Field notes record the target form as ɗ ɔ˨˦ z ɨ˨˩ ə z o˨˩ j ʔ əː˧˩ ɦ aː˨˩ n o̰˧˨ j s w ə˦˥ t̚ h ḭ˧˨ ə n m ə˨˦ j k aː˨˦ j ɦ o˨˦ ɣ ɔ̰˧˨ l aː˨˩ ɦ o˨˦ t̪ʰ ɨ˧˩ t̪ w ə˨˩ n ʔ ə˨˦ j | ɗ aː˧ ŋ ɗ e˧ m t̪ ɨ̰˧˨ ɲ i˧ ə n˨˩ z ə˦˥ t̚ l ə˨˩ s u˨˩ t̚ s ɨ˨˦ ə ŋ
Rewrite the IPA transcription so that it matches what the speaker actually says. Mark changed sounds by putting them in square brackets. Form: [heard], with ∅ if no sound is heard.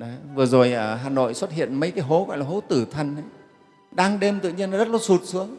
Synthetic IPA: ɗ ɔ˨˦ [v] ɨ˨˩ ə z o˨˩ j ʔ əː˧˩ ɦ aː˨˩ n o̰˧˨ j s w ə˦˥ t̚ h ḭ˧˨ ə n m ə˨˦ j k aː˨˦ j ɦ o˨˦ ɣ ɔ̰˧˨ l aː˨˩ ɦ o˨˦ [t̪] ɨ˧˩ [t̪ʰ] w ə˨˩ n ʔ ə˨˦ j | ɗ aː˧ ŋ ɗ e˧ m t̪ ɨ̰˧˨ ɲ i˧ ə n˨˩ z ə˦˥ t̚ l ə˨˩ s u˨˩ t̚ s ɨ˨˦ ə ŋ